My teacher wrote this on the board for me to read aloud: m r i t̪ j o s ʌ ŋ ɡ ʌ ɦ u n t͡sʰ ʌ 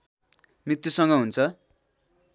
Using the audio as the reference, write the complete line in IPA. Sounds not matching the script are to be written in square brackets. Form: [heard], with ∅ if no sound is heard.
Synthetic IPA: m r i t̪ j [u] s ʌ ŋ ɡ ʌ ɦ u n t͡sʰ ʌ